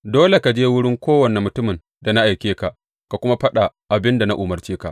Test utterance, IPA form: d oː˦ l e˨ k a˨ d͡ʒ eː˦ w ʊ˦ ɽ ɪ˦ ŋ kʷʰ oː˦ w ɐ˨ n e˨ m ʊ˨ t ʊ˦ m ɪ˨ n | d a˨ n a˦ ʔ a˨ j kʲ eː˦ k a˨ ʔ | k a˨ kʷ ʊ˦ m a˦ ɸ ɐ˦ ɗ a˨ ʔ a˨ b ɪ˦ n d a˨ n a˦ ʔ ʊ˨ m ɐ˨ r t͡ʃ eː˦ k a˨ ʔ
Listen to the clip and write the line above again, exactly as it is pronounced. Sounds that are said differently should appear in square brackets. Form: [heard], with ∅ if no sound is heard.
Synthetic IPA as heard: d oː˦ l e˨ k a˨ d͡ʒ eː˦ w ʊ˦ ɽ ɪ˦ ŋ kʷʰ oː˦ w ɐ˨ n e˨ m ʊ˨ t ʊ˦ m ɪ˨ n | d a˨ n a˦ ʔ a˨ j kʲ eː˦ k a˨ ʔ | k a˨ kʷ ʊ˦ m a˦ ɸ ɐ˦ ɗ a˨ ʔ a˨ b ɪ˦ n d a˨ n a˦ ʔ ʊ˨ m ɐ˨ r t͡ʃ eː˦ k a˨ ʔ